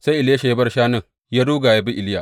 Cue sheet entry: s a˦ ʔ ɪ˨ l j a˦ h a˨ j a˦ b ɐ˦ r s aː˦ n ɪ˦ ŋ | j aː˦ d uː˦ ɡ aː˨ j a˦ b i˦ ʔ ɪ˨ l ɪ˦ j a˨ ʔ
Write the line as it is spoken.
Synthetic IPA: s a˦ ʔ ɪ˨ l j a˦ ʃ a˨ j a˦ b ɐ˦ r ʃ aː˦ n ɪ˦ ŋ | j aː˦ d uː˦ ɡ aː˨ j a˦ b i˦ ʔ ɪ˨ l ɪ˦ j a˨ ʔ

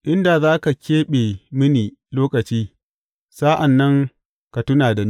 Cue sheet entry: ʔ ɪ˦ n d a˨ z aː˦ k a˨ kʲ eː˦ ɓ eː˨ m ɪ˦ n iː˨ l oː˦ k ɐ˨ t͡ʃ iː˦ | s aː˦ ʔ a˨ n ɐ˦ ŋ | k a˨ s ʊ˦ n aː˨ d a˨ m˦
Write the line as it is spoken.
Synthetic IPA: ʔ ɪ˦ n d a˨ z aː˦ k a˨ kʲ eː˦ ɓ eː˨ m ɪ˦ n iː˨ l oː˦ k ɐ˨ t͡ʃ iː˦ | s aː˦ ʔ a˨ nː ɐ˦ ŋ | k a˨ t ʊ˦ n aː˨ d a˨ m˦

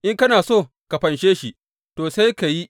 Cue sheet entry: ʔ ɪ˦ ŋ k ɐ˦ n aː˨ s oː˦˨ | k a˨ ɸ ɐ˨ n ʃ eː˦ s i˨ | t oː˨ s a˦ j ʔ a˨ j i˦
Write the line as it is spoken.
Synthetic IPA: ʔ ɪ˦ ŋ k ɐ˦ n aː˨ s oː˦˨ | k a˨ ɸ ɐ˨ n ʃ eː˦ ʃ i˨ | t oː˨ s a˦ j k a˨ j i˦

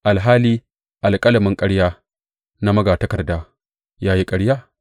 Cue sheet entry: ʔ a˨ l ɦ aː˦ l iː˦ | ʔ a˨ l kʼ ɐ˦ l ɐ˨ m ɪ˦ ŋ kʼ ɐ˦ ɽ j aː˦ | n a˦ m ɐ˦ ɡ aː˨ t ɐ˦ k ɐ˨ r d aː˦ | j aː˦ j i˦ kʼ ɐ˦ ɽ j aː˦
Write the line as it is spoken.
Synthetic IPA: ʔ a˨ l ɦ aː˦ l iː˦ | ʔ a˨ l kʼ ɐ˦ l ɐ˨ m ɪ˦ ŋ kʼ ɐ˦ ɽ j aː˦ | n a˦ m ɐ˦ ɡ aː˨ t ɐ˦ k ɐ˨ r d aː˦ | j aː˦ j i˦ kʼ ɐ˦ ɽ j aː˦

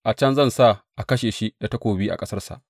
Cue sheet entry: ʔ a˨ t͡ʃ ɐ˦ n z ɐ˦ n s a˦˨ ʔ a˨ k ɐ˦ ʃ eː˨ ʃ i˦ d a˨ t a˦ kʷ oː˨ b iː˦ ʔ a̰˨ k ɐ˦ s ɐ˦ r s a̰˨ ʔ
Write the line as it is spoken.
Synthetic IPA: ʔ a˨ t͡ʃ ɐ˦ n z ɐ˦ n s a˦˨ ʔ a˨ k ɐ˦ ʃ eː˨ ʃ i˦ d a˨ t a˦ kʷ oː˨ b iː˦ ʔ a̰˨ kʼ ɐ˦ s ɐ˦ r s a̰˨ ʔ

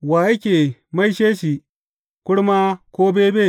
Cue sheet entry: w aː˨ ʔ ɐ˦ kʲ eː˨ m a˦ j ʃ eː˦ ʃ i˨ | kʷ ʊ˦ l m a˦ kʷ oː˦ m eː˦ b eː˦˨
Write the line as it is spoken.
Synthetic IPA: w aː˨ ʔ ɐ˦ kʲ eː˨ m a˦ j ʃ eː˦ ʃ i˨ | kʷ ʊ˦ ɽ m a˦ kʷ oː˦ b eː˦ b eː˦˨

